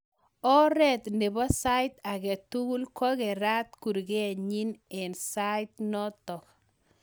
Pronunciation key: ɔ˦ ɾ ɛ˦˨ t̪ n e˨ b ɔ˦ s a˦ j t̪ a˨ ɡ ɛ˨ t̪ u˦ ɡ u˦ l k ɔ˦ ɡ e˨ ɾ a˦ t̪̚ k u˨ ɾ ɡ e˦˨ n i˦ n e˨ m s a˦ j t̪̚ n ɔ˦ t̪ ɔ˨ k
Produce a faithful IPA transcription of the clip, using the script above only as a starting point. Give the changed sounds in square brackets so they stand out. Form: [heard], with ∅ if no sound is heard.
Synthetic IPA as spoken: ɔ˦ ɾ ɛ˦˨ t̪ n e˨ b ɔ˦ s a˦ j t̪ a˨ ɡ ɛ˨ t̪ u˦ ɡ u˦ l k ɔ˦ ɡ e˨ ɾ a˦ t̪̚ k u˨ ɾ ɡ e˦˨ [ɲ] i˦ n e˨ [n] s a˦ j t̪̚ n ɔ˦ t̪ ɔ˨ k